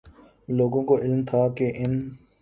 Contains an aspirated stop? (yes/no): yes